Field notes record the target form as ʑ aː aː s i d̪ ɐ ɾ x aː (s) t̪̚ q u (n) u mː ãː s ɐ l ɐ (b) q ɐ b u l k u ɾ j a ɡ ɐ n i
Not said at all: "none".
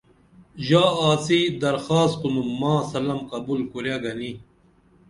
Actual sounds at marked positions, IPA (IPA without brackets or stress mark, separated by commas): s, n, m